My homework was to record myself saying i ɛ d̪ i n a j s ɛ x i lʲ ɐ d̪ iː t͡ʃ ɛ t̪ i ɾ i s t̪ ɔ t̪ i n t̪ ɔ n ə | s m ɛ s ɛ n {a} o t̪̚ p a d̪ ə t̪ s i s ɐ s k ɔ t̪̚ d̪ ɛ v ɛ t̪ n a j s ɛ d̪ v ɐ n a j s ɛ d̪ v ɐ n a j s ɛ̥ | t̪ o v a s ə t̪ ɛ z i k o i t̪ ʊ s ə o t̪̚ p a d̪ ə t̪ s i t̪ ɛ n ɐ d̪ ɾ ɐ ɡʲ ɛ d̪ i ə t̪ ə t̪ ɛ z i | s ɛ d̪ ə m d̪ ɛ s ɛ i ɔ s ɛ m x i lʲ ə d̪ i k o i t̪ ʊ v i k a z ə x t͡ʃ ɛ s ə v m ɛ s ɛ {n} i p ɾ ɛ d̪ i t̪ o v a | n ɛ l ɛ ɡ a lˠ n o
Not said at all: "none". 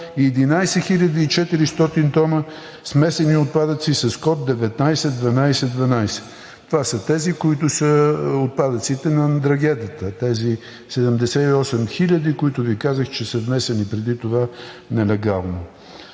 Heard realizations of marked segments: i, n

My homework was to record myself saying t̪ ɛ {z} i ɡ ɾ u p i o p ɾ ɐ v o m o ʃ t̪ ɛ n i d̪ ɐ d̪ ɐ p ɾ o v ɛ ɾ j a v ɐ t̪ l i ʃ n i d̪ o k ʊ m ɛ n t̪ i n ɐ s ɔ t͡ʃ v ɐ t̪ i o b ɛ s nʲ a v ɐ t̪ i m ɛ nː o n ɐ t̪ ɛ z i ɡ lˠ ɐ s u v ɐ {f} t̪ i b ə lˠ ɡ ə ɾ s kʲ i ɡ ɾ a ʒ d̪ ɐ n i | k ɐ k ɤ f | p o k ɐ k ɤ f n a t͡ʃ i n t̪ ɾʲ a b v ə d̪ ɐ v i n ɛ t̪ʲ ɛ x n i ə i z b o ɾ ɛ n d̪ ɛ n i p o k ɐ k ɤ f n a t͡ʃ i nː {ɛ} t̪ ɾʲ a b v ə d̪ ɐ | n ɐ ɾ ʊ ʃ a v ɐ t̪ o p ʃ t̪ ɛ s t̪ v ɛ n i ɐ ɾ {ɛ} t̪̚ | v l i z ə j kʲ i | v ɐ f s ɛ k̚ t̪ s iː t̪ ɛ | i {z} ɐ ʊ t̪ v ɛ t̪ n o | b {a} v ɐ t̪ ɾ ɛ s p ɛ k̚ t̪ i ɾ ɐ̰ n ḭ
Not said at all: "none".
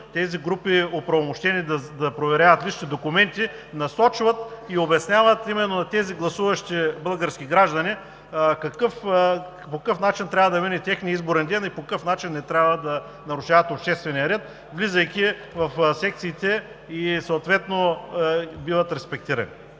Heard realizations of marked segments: z, ʃ, ɛ, ɛ, s, i

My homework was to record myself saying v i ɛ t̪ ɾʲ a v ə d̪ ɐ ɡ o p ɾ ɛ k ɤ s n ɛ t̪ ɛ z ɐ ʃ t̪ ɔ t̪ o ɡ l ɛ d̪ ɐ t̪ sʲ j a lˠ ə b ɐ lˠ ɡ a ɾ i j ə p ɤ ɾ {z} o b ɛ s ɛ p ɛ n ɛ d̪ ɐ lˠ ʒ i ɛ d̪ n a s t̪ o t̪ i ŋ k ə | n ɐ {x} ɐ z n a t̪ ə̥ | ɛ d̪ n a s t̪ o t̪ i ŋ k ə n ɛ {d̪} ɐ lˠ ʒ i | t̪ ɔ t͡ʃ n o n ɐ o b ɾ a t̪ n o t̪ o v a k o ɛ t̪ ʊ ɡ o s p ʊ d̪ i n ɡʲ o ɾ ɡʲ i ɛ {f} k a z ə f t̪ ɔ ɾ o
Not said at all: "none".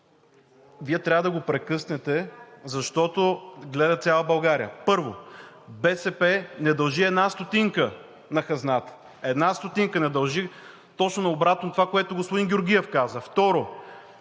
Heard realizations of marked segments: v, x, d̪, f

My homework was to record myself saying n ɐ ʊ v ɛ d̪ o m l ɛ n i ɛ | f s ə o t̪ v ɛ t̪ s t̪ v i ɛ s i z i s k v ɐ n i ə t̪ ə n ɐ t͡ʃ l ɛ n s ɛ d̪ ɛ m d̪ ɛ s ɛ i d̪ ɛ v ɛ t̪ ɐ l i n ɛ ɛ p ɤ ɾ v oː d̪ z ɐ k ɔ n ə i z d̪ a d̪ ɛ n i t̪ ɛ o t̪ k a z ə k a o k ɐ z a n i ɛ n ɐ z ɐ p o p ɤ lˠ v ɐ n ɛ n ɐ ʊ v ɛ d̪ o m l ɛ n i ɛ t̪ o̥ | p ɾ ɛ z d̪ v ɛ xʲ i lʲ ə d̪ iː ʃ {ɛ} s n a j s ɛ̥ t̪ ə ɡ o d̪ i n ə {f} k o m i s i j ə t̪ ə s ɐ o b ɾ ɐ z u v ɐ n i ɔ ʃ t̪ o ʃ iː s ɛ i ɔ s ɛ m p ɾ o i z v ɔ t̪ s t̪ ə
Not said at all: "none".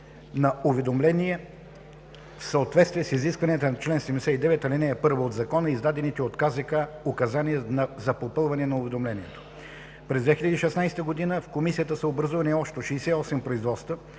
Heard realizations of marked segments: ɛ, f

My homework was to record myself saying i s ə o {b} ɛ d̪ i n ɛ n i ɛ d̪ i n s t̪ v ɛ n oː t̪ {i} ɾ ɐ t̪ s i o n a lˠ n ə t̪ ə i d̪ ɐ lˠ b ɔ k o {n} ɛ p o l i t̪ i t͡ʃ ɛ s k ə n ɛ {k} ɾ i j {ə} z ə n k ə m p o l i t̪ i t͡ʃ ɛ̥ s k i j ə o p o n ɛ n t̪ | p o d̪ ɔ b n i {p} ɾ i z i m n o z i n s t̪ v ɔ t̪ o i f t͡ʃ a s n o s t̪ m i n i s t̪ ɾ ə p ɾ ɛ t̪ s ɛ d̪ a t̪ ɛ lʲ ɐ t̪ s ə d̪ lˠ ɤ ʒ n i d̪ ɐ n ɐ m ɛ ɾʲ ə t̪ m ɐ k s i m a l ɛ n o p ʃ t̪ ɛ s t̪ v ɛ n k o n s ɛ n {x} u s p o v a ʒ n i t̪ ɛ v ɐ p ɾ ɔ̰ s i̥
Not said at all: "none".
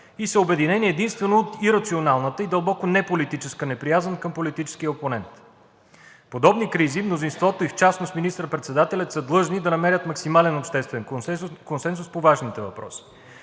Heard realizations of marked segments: b, i, n, p, a, k, s

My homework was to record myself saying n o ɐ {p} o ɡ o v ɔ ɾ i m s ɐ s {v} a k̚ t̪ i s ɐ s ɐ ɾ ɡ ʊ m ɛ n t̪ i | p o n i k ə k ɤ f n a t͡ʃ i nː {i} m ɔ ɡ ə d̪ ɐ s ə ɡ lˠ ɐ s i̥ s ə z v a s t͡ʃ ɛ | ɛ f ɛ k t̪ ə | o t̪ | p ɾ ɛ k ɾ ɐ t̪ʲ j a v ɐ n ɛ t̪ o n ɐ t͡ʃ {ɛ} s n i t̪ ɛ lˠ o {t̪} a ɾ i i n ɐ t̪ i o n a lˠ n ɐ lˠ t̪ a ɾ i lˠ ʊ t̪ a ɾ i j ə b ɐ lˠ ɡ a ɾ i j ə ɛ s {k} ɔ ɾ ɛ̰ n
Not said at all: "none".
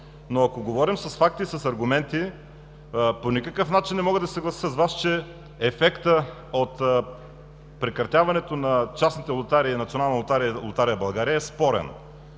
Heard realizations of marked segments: k, f, ɛ, a, t̪, p

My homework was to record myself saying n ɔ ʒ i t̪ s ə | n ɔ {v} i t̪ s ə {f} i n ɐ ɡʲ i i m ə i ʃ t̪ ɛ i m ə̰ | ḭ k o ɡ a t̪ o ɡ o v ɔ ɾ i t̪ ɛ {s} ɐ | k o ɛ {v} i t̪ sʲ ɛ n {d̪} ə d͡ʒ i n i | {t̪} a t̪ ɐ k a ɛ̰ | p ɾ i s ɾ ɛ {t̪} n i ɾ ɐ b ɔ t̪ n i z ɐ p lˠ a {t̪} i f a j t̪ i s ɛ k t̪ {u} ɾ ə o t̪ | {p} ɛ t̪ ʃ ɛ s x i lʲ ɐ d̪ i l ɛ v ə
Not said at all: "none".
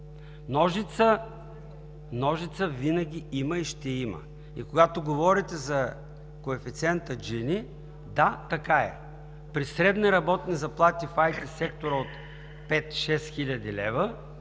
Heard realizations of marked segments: ʒ, v, z, f, t̪, d̪, d̪, t̪, o, p

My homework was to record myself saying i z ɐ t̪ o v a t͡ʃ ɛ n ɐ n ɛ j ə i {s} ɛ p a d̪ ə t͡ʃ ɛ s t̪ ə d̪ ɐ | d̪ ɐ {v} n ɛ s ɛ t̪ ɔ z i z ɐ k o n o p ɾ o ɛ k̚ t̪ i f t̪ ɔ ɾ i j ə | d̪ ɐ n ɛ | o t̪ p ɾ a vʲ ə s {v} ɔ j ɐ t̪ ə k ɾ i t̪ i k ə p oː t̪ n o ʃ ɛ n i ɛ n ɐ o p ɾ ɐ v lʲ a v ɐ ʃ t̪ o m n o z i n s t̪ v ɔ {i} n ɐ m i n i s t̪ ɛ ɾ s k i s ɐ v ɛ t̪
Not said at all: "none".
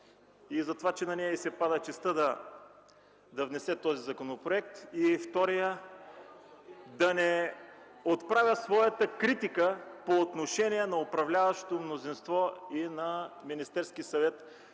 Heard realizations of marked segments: s, v, v, i

